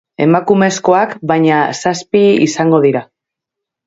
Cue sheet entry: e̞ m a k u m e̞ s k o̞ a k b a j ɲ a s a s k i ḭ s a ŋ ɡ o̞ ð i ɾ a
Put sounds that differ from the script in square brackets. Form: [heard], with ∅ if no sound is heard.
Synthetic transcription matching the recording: e̞ m a k u m e̞ s k o̞ a k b a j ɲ a s a s [p] i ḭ s a ŋ ɡ o̞ ð i ɾ a